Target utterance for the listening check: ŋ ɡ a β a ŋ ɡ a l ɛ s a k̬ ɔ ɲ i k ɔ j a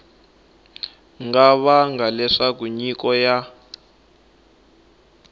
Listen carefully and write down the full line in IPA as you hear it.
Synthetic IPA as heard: ŋ ɡ a β a ŋ ɡ a l ɛ ʂ a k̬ u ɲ i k ɔ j a